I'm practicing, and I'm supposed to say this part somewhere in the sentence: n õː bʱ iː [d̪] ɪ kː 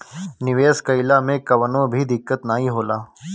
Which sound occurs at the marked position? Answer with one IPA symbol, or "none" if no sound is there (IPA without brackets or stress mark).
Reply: d̪